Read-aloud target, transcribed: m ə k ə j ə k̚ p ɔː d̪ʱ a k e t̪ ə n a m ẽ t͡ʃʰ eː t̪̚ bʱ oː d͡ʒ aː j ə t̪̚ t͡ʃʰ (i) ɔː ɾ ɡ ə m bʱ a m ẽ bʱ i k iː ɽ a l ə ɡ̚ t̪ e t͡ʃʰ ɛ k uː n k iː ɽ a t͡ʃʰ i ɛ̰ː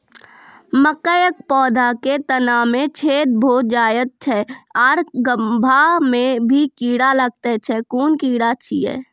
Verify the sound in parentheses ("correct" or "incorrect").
incorrect